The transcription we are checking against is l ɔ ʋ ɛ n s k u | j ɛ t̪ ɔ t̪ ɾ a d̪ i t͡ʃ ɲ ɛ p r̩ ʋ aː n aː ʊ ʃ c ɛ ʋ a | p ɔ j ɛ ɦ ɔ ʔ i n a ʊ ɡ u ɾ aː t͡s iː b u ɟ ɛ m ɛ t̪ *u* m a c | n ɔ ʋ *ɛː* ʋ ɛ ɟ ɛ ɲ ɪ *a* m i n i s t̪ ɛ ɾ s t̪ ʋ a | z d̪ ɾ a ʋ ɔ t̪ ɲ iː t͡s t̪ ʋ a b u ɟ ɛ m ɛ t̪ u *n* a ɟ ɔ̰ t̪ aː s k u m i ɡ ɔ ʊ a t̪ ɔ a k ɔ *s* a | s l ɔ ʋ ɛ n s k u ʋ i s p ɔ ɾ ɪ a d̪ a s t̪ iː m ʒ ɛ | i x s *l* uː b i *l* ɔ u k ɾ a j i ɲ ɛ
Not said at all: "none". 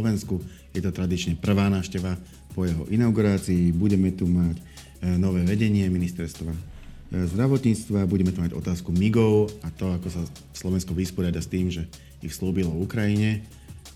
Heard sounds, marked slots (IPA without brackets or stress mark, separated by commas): u, ɛː, ɛ, m, s, l, l